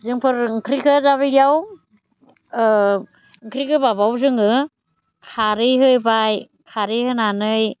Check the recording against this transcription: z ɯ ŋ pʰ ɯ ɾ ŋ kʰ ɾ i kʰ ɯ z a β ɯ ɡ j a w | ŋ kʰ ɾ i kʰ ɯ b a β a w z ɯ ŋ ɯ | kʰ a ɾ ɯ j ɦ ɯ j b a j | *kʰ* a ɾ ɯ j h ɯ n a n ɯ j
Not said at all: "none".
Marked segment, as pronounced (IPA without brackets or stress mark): kʰ